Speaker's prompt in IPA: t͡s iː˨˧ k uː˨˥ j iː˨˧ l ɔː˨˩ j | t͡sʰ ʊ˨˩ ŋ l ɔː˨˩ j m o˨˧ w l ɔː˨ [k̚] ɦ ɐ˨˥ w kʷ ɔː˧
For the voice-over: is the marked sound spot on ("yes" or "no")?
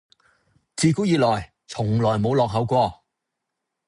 yes